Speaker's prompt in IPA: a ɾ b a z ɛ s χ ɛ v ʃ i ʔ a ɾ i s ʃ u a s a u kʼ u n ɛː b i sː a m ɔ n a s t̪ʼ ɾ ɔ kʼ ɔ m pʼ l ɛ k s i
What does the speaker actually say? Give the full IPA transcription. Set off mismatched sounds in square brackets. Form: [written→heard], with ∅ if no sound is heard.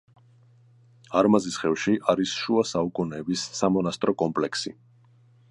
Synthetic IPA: a ɾ [b→m] a z [ɛ→i] s χ ɛ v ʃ i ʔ a ɾ i s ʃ u a s a u kʼ u n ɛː b i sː a m ɔ n a s t̪ʼ ɾ ɔ kʼ ɔ m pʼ l ɛ k s i